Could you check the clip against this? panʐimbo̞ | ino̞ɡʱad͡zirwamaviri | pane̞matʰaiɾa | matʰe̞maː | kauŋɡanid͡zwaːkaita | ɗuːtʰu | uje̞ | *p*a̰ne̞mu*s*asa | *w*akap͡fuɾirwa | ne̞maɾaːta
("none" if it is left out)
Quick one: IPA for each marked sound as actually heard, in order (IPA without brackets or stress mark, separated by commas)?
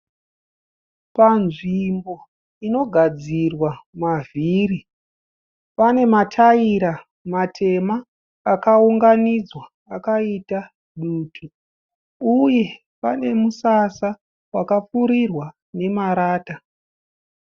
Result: p, s, w